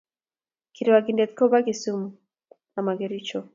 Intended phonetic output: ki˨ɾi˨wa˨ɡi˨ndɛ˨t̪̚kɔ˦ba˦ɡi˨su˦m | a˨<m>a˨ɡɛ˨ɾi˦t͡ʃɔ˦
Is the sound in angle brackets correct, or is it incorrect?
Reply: correct